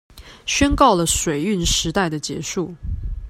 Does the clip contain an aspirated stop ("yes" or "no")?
no